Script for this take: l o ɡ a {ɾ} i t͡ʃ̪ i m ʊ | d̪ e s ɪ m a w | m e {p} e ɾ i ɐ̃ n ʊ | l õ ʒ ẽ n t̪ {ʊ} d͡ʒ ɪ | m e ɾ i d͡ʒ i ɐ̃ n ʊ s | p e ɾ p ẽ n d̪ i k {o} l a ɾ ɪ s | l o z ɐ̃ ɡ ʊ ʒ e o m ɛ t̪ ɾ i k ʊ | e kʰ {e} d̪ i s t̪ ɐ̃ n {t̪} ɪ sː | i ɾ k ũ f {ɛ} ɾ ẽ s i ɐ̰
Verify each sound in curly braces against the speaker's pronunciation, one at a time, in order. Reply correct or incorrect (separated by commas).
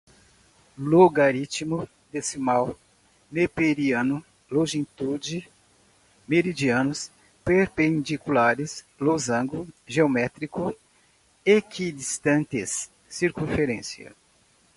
correct, correct, incorrect, incorrect, incorrect, correct, incorrect